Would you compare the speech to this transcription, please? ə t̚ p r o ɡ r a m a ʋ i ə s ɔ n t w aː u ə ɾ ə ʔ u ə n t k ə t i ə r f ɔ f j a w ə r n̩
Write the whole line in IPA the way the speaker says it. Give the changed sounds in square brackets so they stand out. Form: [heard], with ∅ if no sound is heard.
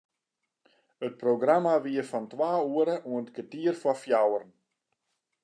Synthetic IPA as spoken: ə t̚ p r o ɡ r a m a ʋ i ə [f] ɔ n t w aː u ə ɾ ə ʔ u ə n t k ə t i ə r f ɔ f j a w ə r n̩